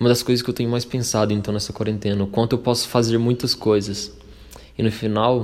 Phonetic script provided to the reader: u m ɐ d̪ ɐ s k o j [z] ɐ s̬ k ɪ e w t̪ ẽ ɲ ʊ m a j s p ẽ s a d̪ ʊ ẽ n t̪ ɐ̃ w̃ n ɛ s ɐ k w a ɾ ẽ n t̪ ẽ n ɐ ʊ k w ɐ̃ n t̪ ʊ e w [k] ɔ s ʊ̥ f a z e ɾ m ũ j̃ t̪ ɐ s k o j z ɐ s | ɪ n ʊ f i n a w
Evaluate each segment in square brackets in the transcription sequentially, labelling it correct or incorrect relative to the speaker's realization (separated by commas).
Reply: correct, incorrect